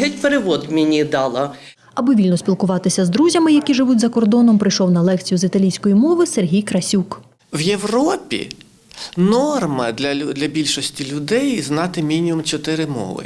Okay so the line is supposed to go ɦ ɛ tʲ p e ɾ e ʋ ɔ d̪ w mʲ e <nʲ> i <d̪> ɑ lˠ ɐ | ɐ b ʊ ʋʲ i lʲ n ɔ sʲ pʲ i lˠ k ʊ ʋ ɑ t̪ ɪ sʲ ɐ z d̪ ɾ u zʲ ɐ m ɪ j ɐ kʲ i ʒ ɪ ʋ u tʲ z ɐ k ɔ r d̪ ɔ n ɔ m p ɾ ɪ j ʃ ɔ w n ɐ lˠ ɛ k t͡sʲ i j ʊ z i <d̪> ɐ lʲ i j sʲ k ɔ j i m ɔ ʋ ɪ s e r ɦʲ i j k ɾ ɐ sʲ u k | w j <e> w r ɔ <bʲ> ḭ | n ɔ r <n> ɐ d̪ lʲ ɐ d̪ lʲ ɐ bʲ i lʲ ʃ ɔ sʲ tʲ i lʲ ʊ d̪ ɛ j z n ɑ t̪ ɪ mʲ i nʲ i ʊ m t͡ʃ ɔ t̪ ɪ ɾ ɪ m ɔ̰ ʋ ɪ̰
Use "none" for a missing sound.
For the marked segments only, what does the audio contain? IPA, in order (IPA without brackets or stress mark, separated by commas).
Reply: nʲ, d̪, t̪, e, pʲ, m